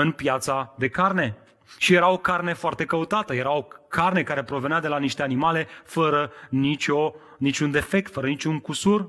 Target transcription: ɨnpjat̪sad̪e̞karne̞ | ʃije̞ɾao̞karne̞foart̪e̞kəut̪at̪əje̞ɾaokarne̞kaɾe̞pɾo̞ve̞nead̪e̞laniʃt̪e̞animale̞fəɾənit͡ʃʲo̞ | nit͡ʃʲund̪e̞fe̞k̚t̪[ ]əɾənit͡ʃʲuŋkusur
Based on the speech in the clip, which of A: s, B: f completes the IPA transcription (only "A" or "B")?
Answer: B